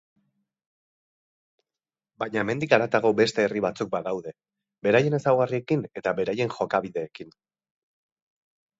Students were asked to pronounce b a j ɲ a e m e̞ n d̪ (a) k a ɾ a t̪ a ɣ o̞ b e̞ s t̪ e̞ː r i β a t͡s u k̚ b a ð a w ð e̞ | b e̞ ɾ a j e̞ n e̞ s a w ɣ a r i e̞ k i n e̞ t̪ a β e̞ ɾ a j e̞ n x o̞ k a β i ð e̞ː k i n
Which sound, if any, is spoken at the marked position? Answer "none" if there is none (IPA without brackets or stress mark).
i